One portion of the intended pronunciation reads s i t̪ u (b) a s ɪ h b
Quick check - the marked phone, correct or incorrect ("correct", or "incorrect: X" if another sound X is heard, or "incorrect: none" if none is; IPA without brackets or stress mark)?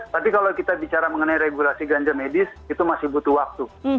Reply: incorrect: m